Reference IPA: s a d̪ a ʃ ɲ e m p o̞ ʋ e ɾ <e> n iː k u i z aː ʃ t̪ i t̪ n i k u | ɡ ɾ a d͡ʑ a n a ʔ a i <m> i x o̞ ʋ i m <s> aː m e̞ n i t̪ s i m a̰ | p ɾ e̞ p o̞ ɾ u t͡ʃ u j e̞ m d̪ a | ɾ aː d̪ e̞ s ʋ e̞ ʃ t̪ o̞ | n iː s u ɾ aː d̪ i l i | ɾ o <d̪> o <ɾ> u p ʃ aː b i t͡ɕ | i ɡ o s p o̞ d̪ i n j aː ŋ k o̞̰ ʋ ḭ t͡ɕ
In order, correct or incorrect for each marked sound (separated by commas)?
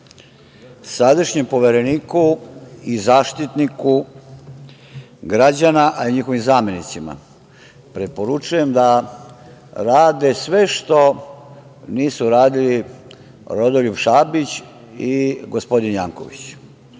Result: correct, incorrect, incorrect, correct, incorrect